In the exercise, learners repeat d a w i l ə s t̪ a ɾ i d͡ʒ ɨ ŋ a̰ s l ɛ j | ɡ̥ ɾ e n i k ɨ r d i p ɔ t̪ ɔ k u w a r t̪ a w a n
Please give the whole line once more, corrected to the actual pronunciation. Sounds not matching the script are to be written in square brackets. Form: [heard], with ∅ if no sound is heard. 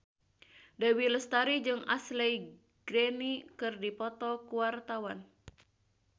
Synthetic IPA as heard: d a w i l ə s t̪ a ɾ i d͡ʒ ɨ ŋ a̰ s l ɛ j | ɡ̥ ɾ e n i k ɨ r d i p ɔ t̪ ɔ k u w a r t̪ a w a n